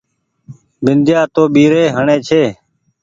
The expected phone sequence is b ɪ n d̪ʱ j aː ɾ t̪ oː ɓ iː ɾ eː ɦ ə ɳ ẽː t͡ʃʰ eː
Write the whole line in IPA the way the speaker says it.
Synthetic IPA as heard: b ɪ n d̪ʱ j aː t̪ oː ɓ iː ɾ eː ɦ ə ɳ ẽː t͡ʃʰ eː